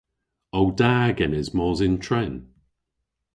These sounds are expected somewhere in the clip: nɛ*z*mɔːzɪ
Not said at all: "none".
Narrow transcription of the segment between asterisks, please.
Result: z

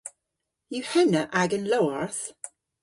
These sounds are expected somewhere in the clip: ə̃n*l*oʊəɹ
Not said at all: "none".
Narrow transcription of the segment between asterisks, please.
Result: l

